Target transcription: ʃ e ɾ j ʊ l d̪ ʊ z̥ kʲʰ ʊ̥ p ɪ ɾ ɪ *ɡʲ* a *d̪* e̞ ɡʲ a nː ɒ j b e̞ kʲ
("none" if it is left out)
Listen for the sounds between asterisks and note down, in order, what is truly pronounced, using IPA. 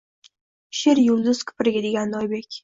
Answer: ɡʲ, d̪

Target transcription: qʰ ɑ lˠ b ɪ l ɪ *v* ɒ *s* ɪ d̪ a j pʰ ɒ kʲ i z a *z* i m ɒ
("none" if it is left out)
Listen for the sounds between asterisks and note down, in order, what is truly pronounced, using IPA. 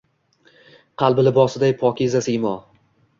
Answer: b, s, s

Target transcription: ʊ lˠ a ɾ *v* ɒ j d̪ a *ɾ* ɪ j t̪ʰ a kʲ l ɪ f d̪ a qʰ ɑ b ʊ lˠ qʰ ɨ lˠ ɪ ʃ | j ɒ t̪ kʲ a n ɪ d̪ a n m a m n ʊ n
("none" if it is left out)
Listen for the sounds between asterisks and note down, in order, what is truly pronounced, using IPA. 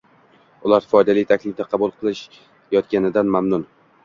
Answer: f, l

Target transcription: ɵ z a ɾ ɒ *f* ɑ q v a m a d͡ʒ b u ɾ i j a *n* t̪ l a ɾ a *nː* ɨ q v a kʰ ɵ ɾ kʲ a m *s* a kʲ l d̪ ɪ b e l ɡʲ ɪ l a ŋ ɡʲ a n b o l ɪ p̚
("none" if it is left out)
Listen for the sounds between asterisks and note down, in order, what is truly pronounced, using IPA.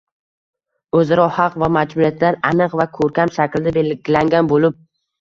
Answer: h, none, n, ʃ

